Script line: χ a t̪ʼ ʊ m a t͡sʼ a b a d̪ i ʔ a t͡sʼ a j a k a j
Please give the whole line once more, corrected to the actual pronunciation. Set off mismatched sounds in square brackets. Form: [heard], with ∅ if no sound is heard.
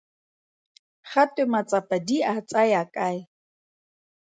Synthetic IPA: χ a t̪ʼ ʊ m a t͡sʼ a [p] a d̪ i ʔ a t͡sʼ a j a [kʼ] a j